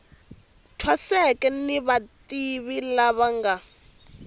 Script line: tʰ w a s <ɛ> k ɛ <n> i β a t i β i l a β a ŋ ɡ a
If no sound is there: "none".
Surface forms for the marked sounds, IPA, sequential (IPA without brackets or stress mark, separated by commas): ɛ, n